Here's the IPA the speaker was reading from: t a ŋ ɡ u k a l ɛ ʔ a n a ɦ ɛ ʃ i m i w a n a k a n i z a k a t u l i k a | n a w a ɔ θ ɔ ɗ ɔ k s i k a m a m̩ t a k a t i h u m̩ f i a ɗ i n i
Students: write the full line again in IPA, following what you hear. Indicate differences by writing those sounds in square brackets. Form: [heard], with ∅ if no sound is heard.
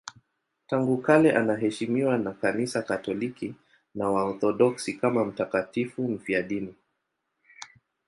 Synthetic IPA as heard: t a ŋ ɡ u k a l ɛ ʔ a n a ɦ ɛ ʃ i m i w a n a k a n i [s] a k a t [ɔ] l i k [i] | n a w a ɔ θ ɔ ɗ ɔ k s i k a m a m̩ t a k a t i [f] u m̩ f i a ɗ i n i